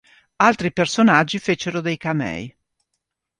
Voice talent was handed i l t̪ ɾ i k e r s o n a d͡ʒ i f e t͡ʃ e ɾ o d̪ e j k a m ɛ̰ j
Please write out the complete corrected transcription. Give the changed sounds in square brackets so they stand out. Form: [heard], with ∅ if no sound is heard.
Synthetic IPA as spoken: [a] l t̪ ɾ i [p] e r s o n a [d͡ʒː] i f e t͡ʃ e ɾ o d̪ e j k a m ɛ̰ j